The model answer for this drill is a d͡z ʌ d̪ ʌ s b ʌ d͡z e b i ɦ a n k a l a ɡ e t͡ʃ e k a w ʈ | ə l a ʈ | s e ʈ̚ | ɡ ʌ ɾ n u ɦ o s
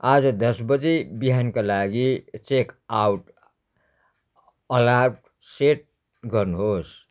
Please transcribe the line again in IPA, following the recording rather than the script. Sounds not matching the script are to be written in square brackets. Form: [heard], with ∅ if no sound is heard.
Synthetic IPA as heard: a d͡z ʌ d̪ ʌ s b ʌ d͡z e b i ɦ a n k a l a ɡ [i] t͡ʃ e k a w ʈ | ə l a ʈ | s e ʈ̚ | ɡ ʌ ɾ n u ɦ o s